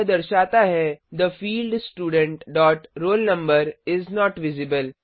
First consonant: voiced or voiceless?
voiced